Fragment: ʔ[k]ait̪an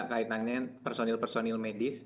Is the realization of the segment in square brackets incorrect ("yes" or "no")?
no